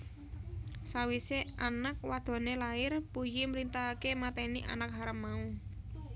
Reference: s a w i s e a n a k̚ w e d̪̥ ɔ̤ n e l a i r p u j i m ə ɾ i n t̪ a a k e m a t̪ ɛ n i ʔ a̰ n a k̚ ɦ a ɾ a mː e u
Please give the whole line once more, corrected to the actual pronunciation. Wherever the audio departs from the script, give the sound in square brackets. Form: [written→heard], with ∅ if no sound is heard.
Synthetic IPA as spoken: s a w i s e a n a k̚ w [e→a] d̪̥ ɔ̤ n e l a [i→ɪ] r p u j i m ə ɾ i n t̪ a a k e m a t̪ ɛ n i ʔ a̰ n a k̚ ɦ a ɾ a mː [e→a] u